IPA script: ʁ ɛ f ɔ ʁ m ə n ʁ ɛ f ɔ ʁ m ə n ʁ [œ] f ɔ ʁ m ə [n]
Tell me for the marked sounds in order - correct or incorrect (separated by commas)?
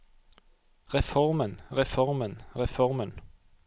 incorrect, correct